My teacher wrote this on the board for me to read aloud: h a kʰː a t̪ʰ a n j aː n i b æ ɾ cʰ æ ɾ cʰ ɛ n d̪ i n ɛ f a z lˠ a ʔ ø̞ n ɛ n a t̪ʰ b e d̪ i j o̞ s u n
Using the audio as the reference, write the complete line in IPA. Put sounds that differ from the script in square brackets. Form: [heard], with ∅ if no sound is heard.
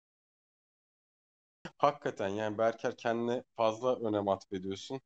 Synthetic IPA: h a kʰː a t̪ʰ [æ] n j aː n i b æ ɾ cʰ æ ɾ cʰ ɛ n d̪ i n ɛ f a z lˠ a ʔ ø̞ n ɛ [m] a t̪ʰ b e d̪ i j o̞ s u n